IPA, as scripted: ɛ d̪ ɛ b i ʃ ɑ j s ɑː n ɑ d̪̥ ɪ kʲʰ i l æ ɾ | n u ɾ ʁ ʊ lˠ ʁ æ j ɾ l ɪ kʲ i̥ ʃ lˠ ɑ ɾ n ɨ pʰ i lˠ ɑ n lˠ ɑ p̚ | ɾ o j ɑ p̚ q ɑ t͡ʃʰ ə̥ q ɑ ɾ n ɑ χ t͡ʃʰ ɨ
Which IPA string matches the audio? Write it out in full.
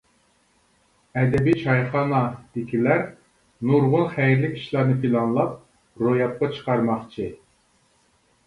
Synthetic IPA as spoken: ɛ d̪ ɛ b i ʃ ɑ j χ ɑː n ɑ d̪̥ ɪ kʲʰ i l æ ɾ | n u ɾ ʁ ʊ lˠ χ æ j ɾ l ɪ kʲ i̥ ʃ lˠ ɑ ɾ n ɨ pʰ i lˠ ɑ n lˠ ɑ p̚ | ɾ o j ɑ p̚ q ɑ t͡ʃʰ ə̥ q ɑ ɾ m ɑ χ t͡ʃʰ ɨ